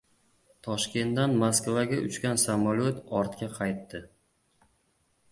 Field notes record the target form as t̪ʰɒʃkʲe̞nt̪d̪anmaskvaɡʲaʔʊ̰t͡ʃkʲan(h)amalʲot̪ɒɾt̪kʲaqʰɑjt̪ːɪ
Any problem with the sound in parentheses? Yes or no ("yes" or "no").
yes